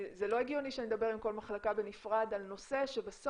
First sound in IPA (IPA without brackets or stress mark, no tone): z